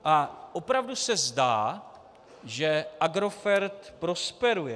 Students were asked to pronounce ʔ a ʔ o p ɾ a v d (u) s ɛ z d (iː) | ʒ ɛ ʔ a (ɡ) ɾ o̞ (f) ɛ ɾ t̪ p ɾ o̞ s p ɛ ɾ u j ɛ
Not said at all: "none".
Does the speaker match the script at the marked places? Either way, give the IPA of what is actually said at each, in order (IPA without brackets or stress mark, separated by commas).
u, aː, ɡ, f